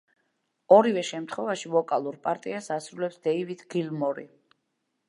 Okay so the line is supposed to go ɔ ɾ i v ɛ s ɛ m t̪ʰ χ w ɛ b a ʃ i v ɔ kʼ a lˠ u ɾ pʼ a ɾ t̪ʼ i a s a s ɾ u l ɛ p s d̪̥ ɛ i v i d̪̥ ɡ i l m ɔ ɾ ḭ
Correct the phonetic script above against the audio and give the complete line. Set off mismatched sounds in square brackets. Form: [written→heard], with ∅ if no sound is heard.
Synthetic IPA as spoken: ɔ ɾ i v ɛ [s→ʃ] ɛ m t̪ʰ χ w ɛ [b→v] a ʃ i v ɔ kʼ a lˠ u ɾ pʼ a ɾ t̪ʼ i a s a s ɾ u l ɛ p s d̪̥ ɛ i v i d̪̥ ɡ i l m ɔ ɾ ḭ

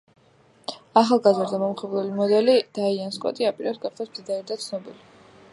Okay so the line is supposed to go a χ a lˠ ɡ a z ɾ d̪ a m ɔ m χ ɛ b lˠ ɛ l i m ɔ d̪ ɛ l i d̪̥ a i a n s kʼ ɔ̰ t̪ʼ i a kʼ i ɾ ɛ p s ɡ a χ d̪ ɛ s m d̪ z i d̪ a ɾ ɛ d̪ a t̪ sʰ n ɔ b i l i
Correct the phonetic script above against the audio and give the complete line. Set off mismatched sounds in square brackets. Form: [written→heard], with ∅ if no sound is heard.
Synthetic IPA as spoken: a χ a lˠ ɡ a z ɾ d̪ a m ɔ m χ ɛ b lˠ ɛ l i m ɔ d̪ ɛ l i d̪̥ a i a n s kʼ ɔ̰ t̪ʼ i a [kʼ→pʼ] i ɾ ɛ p s ɡ a χ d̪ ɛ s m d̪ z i d̪ a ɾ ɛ d̪ a t̪ sʰ n ɔ b i l i

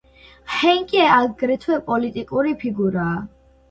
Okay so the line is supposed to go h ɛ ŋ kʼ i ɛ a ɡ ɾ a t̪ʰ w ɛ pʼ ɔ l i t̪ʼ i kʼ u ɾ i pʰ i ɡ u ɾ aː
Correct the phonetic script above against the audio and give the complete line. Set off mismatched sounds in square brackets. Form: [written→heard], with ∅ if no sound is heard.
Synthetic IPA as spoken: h ɛ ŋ kʼ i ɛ a ɡ ɾ [a→ɛ] t̪ʰ w ɛ pʼ ɔ l i t̪ʼ i kʼ u ɾ i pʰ i ɡ u ɾ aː

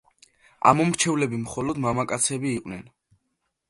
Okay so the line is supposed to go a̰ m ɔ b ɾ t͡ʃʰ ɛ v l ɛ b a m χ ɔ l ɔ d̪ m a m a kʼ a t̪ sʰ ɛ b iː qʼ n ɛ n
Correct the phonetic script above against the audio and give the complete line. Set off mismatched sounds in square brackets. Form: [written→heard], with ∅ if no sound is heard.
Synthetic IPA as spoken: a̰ m ɔ [b→m] ɾ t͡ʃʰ ɛ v l ɛ b [a→i] m χ ɔ l ɔ d̪ m a m a kʼ a t̪ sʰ ɛ b iː qʼ n ɛ n

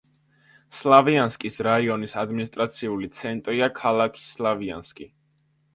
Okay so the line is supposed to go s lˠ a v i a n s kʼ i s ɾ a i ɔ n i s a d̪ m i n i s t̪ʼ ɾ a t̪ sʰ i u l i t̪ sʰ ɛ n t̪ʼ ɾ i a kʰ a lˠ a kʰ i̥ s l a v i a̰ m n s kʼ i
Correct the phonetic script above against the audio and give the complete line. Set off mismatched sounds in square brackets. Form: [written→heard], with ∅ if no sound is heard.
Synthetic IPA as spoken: s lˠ a v i a n s kʼ i s ɾ a i ɔ n i s a d̪ m i n i s t̪ʼ ɾ a t̪ sʰ i u l i t̪ sʰ ɛ n t̪ʼ ɾ i a kʰ a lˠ a kʰ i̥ s l a v i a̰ [m→∅] n s kʼ i

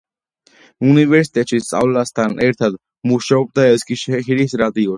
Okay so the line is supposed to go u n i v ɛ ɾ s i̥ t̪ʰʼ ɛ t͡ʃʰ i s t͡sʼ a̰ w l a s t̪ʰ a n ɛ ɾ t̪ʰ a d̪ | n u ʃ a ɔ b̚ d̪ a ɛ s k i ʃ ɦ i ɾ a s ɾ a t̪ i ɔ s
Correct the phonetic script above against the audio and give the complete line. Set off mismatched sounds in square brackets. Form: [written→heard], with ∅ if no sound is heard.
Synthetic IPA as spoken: u n i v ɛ ɾ s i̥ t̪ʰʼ ɛ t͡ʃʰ i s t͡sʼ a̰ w l a s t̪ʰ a n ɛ ɾ t̪ʰ a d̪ | [n→m] u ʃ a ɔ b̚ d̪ a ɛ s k i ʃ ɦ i ɾ [a→i] s ɾ a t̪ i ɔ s

